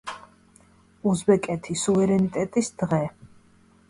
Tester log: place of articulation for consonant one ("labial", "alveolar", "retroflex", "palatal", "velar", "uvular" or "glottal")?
alveolar